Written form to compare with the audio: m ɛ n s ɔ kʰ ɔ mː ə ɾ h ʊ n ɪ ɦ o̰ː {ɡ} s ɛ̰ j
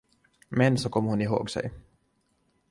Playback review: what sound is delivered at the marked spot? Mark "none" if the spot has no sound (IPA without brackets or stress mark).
ɡ